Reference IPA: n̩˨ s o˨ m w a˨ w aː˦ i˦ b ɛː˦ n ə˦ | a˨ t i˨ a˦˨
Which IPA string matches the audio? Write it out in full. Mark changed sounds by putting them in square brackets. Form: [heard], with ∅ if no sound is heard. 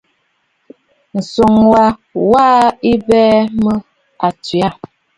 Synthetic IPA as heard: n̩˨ s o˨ [ŋ] w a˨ w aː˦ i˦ b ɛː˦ [m] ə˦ | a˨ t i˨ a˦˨